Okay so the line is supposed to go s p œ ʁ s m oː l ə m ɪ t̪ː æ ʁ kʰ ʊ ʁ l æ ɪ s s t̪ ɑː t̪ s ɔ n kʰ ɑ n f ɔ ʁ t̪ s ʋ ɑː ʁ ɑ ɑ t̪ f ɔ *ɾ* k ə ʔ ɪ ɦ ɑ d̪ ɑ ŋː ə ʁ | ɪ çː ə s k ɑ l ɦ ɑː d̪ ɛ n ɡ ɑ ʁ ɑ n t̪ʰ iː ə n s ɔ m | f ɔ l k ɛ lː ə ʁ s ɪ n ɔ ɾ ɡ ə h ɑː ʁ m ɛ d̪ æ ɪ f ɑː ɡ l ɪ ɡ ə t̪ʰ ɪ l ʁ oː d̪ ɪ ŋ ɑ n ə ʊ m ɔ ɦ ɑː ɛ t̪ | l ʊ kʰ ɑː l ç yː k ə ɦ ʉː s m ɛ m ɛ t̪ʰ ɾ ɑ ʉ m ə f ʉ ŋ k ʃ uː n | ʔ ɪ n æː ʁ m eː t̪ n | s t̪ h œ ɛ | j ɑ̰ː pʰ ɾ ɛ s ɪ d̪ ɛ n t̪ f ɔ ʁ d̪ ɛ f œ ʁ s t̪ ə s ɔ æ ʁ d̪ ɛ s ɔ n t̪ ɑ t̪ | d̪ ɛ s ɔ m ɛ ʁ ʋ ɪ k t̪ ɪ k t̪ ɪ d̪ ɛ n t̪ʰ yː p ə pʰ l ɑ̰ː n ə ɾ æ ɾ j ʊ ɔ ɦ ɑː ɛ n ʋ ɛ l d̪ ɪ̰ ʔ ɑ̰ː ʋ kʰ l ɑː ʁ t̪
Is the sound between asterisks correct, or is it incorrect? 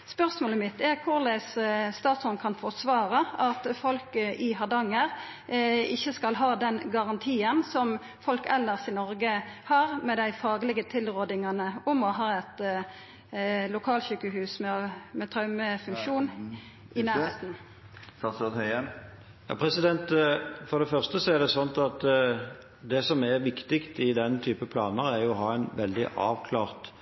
incorrect